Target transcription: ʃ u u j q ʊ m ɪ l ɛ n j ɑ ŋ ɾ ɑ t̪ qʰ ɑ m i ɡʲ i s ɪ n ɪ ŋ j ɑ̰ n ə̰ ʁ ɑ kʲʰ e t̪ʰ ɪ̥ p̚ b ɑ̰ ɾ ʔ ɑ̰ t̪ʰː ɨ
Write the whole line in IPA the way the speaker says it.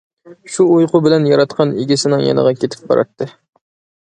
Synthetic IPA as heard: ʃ u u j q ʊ b ɪ l ɛ n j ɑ ɾ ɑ t̪ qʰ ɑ n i ɡʲ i s ɪ n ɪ ŋ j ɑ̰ n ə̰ ʁ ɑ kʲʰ e t̪ʰ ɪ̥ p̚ b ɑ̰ ɾ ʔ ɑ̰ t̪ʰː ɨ

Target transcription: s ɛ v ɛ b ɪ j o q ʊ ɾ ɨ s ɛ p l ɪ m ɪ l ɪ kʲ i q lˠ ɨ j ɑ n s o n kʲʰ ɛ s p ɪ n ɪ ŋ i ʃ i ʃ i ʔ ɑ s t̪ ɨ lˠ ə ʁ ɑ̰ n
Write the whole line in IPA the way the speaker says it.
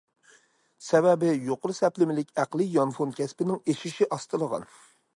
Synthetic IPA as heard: s ɛ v ɛ b ɪ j o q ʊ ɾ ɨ s ɛ p l ɪ m ɪ l ɪ kʲ æ q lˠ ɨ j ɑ n f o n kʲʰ ɛ s p ɪ n ɪ ŋ e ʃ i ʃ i ʔ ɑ s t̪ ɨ lˠ ə ʁ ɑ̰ n

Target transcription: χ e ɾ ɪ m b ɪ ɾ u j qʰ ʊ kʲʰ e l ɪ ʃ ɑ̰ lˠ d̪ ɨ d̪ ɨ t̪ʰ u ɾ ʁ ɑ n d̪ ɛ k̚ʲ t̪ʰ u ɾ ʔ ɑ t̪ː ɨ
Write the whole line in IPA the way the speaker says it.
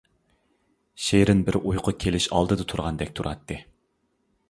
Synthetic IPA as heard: ʃ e ɾ ɪ n b ɪ ɾ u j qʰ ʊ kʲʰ e l ɪ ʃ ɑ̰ lˠ d̪ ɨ d̪ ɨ t̪ʰ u ɾ ʁ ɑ n d̪ ɛ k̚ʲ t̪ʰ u ɾ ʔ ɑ t̪ː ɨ

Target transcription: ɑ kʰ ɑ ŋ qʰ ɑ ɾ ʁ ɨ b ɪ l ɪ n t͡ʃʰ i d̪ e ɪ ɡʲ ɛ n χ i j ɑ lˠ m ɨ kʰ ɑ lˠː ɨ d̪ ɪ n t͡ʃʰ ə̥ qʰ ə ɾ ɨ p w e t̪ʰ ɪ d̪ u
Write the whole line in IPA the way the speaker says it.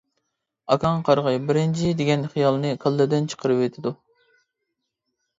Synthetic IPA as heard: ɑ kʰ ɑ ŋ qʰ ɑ ɾ ʁ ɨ b ɪ ɾ ɪ n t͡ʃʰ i d̪ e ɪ ɡʲ ɛ n χ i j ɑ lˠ n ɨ kʰ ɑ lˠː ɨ d̪ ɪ n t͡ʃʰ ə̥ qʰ ə ɾ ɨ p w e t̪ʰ ɪ d̪ u

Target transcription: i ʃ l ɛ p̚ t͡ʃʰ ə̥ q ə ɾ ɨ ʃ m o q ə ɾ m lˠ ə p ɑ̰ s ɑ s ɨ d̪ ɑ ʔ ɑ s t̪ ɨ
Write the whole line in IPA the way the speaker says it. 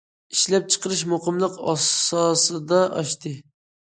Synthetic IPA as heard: i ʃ l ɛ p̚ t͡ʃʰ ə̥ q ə ɾ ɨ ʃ m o q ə m lˠ ə q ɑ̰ s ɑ s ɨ d̪ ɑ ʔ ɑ ʃ t̪ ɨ

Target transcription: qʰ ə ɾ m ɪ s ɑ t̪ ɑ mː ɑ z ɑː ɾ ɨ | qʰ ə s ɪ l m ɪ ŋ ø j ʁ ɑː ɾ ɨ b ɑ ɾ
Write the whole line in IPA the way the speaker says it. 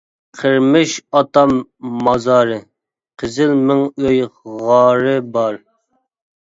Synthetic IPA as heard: qʰ ə ɾ m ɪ ʃ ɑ t̪ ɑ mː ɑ z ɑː ɾ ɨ | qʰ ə z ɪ l m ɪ ŋ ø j ʁ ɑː ɾ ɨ b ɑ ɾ

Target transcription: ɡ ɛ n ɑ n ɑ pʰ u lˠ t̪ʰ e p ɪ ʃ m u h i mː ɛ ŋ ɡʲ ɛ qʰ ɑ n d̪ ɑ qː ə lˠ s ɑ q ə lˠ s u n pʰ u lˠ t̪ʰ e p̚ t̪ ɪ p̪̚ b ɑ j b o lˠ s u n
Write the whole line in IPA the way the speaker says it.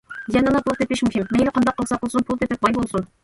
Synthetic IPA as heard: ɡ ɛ n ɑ n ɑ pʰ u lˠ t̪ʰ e p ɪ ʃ m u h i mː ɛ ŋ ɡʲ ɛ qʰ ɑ n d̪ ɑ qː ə lˠ s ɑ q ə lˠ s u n pʰ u lˠ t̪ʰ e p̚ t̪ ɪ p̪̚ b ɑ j b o lˠ s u n

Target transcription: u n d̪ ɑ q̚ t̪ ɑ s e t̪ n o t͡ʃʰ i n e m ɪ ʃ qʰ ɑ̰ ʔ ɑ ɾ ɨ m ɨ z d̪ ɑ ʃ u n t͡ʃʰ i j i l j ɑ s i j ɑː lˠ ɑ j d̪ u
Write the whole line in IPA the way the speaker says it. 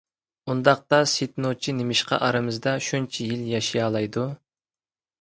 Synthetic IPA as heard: u n d̪ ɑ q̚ t̪ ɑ s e t̪ n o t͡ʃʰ i n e m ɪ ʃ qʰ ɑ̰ ʔ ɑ ɾ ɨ m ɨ z d̪ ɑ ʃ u n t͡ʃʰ i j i l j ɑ ʃ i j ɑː lˠ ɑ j d̪ u

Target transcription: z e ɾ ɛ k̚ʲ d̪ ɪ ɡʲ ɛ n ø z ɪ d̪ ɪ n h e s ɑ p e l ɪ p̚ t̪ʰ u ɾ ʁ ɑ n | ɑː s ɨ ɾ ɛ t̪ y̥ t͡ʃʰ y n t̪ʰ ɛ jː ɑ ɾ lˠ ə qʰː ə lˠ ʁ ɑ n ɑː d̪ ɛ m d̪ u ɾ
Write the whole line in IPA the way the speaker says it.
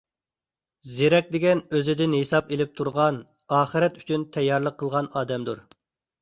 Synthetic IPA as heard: z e ɾ ɛ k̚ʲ d̪ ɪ ɡʲ ɛ n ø z ɪ d̪ ɪ n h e s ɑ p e l ɪ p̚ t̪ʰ u ɾ ʁ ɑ n | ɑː χ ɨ ɾ ɛ t̪ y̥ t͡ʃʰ y n t̪ʰ ɛ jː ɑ ɾ lˠ ə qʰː ə lˠ ʁ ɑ n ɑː d̪ ɛ m d̪ u ɾ

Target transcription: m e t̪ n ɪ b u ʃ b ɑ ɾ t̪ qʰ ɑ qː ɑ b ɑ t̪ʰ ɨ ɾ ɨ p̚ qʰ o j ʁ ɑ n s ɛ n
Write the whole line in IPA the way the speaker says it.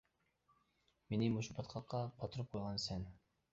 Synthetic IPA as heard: m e n ɪ m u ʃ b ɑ t̪ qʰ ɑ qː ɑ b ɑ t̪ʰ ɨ ɾ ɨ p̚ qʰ o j ʁ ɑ n s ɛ n

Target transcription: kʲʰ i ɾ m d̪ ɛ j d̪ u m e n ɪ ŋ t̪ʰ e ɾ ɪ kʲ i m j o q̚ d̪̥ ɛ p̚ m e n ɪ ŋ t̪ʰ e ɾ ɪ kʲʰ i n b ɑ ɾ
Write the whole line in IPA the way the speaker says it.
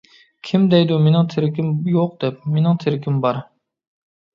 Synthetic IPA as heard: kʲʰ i m d̪ ɛ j d̪ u m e n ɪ ŋ t̪ʰ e ɾ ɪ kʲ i m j o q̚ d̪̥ ɛ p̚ m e n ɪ ŋ t̪ʰ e ɾ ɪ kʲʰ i m b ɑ ɾ

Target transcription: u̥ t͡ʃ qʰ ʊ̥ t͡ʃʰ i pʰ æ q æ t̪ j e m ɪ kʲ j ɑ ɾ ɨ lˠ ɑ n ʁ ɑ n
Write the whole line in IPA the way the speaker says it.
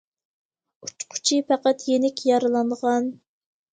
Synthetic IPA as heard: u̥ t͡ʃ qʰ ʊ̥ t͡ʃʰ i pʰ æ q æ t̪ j e n ɪ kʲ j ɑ ɾ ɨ lˠ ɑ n ʁ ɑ n

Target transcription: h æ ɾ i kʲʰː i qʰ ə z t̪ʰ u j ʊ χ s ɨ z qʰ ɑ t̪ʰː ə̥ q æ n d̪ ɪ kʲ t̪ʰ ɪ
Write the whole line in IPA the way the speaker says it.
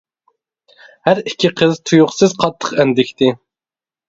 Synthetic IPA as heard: h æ ɾ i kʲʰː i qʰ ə z t̪ʰ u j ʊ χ s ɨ z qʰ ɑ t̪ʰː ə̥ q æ n d̪ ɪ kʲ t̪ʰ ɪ

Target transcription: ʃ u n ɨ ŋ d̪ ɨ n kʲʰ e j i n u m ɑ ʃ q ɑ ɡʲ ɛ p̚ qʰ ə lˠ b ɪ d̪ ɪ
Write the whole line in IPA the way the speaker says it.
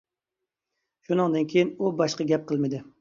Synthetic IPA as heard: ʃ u n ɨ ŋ d̪ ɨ n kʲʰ e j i n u b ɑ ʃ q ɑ ɡʲ ɛ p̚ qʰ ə lˠ m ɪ d̪ ɪ

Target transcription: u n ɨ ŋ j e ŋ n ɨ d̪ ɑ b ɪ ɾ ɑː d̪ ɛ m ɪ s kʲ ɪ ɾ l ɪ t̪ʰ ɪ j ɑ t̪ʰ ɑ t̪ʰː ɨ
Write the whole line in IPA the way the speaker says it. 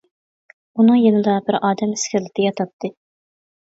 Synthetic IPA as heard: u n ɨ ŋ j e n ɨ d̪ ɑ b ɪ ɾ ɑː d̪ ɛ m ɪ s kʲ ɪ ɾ l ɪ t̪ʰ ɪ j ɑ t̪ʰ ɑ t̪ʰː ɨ

